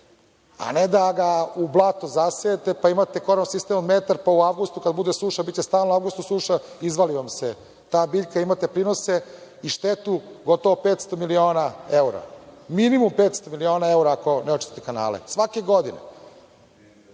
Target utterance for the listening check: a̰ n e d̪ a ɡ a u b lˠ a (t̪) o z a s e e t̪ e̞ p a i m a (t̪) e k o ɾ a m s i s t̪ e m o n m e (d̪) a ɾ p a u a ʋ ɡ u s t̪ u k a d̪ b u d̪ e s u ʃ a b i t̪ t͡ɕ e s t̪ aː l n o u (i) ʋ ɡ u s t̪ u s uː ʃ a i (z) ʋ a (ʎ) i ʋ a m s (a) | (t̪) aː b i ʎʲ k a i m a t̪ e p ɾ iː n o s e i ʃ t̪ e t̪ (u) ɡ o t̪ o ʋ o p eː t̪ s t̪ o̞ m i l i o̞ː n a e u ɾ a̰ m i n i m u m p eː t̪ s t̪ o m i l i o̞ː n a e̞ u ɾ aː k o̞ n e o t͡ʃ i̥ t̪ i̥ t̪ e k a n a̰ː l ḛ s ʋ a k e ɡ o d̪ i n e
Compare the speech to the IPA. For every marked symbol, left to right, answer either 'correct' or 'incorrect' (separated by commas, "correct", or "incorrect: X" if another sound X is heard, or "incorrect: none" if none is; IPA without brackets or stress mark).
correct, correct, incorrect: t̪, incorrect: a, correct, incorrect: l, incorrect: e, correct, correct